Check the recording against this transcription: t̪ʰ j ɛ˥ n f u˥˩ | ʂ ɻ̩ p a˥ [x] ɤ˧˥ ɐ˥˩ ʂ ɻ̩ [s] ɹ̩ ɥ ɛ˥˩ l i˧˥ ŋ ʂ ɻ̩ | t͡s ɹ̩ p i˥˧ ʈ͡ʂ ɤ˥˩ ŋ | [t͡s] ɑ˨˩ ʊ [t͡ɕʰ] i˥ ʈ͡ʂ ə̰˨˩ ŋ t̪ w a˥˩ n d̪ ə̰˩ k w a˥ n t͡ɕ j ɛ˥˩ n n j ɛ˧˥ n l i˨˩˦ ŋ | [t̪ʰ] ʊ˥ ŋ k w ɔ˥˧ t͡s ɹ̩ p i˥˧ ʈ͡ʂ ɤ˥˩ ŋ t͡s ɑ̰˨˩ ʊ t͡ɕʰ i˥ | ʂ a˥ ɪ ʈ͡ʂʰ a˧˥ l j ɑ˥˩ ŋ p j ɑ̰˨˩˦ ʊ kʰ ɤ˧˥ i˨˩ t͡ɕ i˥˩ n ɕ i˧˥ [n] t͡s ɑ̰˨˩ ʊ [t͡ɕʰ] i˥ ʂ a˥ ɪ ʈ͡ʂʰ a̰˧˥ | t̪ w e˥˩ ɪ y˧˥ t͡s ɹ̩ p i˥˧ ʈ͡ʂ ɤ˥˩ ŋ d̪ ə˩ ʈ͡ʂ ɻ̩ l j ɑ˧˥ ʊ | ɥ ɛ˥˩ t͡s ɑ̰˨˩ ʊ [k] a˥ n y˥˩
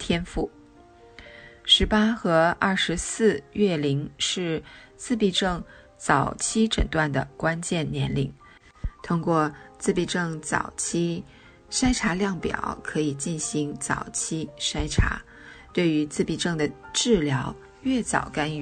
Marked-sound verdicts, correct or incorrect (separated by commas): correct, correct, correct, correct, correct, incorrect, correct, correct